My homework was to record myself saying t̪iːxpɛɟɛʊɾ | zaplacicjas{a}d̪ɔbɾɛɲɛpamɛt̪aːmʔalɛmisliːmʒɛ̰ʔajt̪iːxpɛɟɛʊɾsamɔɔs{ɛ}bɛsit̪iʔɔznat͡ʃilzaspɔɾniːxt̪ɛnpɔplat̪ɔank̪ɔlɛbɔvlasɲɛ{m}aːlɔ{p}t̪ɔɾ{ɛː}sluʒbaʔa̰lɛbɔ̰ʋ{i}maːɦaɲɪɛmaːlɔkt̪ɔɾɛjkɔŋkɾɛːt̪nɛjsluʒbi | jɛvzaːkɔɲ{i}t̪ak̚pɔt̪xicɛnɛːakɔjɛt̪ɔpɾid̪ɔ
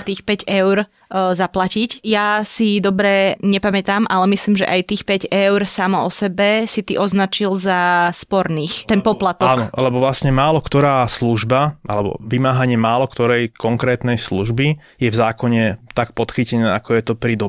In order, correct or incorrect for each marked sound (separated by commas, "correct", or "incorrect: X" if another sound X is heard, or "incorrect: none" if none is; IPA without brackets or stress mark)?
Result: incorrect: i, correct, correct, incorrect: k, incorrect: aː, correct, incorrect: ɛ